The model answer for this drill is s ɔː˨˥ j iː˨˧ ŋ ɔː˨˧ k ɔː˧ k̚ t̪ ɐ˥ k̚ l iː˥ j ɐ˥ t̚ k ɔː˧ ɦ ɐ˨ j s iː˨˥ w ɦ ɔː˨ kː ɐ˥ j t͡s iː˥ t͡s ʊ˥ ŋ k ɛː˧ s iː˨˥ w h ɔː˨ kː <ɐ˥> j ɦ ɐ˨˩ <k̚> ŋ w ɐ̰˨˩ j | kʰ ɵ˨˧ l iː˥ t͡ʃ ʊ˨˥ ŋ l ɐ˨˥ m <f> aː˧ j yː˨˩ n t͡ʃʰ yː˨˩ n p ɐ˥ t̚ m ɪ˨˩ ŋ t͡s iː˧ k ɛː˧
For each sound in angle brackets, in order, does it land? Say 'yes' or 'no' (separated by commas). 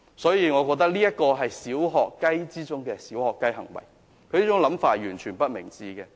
yes, no, yes